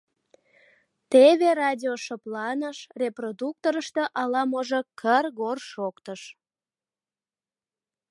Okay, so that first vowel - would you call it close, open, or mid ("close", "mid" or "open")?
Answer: mid